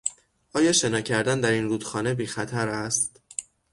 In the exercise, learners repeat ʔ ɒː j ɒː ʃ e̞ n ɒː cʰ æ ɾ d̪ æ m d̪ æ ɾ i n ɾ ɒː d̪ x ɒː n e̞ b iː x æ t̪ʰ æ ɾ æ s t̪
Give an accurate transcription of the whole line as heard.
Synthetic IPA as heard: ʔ ɒː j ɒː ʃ e̞ n ɒː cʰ æ ɾ d̪ æ n d̪ æ ɾ i n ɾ uː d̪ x ɒː n e̞ b iː x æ t̪ʰ æ ɾ æ s t̪